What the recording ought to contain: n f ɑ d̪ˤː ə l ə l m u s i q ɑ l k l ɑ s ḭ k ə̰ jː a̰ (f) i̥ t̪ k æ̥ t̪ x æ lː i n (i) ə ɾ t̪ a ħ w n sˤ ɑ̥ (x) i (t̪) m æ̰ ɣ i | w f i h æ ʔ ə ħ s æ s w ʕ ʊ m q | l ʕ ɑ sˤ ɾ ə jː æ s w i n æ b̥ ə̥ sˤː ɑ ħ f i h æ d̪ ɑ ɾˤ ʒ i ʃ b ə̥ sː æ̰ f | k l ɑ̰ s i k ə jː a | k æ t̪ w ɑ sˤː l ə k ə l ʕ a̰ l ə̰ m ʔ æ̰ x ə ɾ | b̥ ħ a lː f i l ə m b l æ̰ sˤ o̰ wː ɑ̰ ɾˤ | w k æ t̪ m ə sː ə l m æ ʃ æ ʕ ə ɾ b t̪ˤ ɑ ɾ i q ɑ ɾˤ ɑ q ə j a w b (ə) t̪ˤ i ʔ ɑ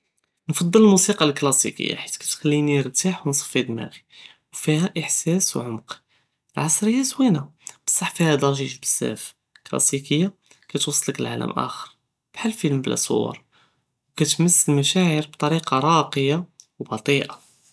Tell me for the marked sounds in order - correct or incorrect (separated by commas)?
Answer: incorrect, correct, incorrect, incorrect, incorrect